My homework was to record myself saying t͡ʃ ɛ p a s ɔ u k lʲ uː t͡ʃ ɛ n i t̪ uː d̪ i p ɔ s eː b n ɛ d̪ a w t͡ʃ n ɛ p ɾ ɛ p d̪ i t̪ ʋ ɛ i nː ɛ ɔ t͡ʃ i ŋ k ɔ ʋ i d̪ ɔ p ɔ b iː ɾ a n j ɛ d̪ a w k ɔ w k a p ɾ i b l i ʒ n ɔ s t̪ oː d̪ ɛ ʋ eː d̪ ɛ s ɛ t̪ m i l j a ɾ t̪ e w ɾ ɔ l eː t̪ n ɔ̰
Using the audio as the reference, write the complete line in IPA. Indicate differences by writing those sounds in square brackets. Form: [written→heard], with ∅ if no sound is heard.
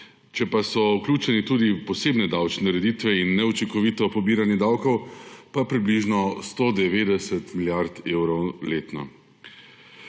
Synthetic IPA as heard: t͡ʃ ɛ p a s ɔ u k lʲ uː t͡ʃ ɛ n i t̪ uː d̪ i p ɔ s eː b n ɛ d̪ a w t͡ʃ n ɛ [p→∅] ɾ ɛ [p→∅] d̪ i t̪ ʋ ɛ i nː ɛ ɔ t͡ʃ i ŋ k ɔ ʋ i [d̪→t̪] ɔ p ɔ b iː ɾ a n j ɛ d̪ a w k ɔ w [k→p] a p ɾ i b l i ʒ n ɔ s t̪ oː d̪ ɛ ʋ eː d̪ ɛ s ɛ t̪ m i l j a ɾ t̪ e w ɾ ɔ l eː t̪ n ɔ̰